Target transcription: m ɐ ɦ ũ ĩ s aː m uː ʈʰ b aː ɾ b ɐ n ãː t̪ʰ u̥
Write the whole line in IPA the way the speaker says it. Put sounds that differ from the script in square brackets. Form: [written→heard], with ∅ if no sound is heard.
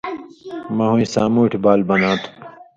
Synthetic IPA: m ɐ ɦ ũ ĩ s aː m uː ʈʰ b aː [ɾ→l] b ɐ n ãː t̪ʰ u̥